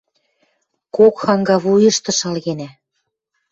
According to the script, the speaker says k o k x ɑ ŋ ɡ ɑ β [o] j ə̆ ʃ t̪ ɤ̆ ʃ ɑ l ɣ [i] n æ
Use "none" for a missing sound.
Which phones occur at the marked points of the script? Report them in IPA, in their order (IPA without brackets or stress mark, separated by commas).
u, e